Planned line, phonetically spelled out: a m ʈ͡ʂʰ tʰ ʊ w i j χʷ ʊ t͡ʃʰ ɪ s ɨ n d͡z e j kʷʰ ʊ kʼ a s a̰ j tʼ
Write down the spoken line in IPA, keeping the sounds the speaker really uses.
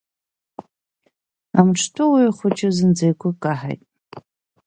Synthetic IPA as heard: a m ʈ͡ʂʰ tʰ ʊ w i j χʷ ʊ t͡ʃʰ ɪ z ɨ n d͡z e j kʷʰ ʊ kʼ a ħ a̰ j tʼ

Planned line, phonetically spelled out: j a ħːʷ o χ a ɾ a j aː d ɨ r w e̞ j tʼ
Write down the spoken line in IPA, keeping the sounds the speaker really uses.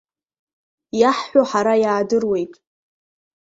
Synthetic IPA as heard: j a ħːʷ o ħ a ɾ a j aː d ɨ r w e̞ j tʼ

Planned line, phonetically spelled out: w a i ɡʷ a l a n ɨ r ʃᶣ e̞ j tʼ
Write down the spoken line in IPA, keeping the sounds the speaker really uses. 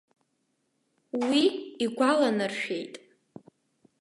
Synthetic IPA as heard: w i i ɡʷ a l a n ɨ r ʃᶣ e̞ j tʼ

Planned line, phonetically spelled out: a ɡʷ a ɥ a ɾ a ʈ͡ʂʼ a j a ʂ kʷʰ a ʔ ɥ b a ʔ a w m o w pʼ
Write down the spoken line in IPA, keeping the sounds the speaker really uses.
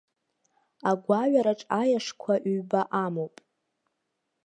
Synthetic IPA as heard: a ɡʷ a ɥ a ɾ a ʈ͡ʂʼ a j a ʂ kʷʰ a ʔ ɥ b a ʔ a m o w pʼ

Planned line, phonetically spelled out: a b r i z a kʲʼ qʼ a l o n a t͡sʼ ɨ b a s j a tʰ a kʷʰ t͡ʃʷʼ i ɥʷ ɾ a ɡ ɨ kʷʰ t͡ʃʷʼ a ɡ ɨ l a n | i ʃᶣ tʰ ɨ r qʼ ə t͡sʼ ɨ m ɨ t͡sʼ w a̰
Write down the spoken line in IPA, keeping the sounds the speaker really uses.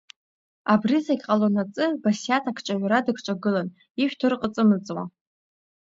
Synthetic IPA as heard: a b r i z a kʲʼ qʼ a l o n a t͡sʼ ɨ b a s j a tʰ a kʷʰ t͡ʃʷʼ a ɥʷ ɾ a d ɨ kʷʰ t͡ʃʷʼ a ɡ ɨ l a n | i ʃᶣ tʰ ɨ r qʼ ə t͡sʼ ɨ m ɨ t͡sʼ w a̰

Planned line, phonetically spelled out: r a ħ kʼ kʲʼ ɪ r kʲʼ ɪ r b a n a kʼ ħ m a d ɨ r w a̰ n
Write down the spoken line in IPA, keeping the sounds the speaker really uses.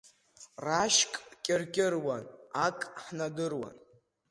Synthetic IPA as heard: r a ʃ kʼ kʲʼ ɪ r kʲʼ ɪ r w a n a kʼ ħ n a d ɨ r w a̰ n

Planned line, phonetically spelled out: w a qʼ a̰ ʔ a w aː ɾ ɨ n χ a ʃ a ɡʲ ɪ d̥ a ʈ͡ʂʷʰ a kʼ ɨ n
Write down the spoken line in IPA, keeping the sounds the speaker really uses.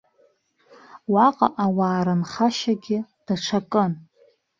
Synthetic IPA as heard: w a qʼ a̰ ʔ a w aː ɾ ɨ n χ a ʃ a ɡʲ ɪ d̥ a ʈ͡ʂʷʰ a kʼ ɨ n

